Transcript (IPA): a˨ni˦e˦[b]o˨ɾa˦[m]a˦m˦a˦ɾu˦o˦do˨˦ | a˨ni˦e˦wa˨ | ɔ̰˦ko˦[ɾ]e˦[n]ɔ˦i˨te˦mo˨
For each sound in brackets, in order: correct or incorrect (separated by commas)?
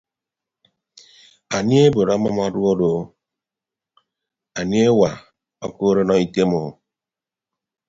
correct, correct, correct, correct